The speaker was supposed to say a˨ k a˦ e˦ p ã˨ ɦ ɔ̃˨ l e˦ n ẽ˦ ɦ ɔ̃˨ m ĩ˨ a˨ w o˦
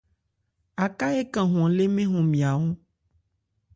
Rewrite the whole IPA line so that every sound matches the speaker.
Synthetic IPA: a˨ k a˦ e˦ k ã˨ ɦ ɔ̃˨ l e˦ m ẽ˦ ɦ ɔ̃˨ m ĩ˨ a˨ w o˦

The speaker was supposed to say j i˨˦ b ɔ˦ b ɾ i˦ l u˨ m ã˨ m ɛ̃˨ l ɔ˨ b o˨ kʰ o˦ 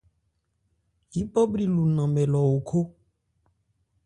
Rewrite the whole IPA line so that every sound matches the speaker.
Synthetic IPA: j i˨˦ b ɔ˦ b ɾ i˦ l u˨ n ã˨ m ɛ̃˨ l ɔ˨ w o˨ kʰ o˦

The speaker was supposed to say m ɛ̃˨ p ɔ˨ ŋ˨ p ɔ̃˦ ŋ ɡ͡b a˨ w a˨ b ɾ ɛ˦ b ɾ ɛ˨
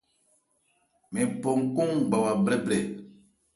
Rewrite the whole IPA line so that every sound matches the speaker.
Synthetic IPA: m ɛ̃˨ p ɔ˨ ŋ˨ k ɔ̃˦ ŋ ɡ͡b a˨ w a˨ b ɾ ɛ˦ b ɾ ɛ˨

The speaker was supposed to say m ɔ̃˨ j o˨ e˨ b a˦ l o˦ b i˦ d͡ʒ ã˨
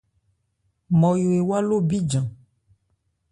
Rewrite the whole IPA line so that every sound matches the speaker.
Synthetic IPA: m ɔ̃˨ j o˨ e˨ w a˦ l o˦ b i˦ d͡ʒ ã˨

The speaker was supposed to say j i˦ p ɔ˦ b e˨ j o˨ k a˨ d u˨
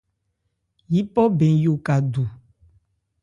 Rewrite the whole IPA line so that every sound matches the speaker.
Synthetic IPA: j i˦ p ɔ˦ b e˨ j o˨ k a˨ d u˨

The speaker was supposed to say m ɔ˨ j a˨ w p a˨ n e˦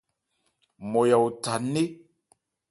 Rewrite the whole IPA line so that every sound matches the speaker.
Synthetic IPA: m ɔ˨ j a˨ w t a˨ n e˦

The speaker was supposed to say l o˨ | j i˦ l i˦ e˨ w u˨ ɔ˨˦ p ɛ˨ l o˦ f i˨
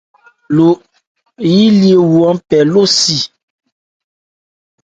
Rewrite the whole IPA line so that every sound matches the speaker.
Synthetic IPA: l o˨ | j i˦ l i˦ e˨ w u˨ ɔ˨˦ p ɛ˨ l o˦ s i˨

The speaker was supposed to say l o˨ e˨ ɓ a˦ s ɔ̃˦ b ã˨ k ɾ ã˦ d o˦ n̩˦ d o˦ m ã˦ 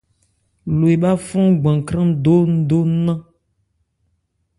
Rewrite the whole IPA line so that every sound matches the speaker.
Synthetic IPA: l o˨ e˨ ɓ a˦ f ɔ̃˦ ɡ͡b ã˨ k ɾ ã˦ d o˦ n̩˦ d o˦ n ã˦

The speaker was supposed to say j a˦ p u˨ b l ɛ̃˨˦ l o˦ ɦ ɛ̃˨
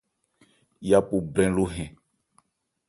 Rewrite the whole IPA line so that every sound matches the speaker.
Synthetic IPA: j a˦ p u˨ b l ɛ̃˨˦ l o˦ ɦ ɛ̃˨

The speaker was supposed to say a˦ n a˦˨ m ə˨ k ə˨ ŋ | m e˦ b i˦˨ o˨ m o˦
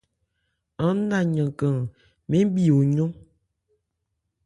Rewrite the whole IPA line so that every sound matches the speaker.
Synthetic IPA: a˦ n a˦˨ ɲ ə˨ k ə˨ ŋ | m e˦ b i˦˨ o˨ ɲ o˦

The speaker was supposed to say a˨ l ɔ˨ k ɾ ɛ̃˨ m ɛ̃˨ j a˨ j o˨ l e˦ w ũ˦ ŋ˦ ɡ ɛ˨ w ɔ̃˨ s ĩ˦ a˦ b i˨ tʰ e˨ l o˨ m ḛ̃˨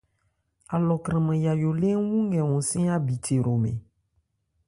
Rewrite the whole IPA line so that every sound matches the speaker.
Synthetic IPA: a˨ l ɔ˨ k ɾ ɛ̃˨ m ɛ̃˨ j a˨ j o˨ l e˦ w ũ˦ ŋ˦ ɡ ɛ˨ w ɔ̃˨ s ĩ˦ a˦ b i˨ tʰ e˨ ɾ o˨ m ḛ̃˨

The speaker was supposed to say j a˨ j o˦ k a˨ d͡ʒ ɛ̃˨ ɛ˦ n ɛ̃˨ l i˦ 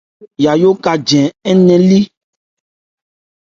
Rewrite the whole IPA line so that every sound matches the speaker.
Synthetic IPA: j a˨ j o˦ k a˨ d͡ʒ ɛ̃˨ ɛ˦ n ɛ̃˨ l i˦

